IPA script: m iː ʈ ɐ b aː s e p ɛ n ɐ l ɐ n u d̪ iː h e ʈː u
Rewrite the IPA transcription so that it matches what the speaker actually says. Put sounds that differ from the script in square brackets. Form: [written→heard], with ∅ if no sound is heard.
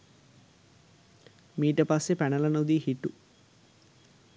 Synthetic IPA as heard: m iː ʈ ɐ [b→p] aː s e p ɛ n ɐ l ɐ n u d̪ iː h [e→i] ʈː u